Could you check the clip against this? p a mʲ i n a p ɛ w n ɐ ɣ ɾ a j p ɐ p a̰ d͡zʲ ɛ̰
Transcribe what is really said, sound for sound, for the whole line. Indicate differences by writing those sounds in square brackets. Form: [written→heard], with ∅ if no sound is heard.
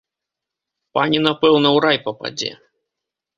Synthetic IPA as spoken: p a [mʲ→nʲ] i n a p ɛ w n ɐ [ɣ→w] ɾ a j p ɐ p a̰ d͡zʲ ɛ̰